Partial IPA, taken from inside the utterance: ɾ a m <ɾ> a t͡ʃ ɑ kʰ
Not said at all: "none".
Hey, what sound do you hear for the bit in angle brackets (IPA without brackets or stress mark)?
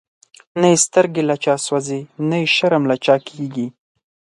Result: l